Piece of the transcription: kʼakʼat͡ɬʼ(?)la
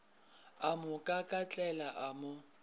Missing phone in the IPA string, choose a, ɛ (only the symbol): ɛ